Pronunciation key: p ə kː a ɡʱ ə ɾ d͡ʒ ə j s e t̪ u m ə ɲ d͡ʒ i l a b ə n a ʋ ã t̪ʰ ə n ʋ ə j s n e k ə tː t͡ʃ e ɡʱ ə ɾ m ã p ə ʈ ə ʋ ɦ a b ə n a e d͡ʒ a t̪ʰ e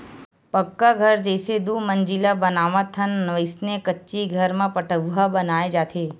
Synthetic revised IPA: p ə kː a ɡʱ ə ɾ d͡ʒ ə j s e d̪ u m ə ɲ d͡ʒ i l a b ə n a ʋ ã t̪ʰ ə n ʋ ə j s n e k ə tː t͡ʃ i ɡʱ ə ɾ m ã p ə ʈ ə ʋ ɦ a b ə n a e d͡ʒ a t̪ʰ e